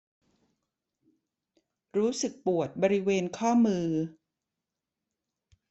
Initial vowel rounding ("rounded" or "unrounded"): rounded